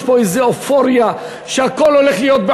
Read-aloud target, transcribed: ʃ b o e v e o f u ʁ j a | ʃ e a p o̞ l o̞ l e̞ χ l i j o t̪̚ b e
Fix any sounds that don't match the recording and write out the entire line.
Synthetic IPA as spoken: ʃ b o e z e o f o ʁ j a | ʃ e a k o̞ l o̞ l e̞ χ l i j o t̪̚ b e